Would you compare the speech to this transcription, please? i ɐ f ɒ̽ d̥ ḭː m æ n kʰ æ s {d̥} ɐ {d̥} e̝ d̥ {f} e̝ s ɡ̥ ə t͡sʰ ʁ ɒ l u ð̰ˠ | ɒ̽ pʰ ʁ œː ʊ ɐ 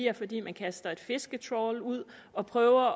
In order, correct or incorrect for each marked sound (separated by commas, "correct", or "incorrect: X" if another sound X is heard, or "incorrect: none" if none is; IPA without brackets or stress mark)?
correct, incorrect: none, correct